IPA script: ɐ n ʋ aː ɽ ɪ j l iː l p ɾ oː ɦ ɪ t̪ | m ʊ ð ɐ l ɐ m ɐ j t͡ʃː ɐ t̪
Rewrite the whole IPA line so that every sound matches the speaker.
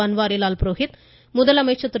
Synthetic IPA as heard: ɐ n ʋ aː ɾ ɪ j l aː l p ɾ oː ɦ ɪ t̪ | m ʊ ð ɐ l ɐ m ɐ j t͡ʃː ɐ t̪